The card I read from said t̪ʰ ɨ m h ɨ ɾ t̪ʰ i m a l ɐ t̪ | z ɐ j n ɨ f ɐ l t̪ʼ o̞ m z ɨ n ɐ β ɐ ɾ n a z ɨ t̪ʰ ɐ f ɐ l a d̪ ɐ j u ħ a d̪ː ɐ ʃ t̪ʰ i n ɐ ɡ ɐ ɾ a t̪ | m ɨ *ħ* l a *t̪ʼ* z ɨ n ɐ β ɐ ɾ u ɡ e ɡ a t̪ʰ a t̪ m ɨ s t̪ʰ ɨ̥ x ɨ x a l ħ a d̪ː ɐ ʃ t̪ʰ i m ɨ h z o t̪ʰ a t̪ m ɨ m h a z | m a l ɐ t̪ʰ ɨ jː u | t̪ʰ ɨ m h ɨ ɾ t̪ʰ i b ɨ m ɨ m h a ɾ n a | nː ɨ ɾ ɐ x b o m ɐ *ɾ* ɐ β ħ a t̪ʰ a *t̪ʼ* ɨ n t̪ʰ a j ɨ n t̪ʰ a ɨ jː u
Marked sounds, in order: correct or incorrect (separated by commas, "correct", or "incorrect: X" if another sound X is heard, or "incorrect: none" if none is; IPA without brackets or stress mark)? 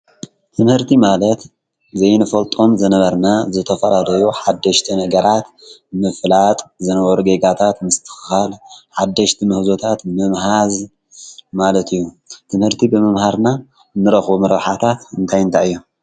incorrect: f, correct, correct, incorrect: t̪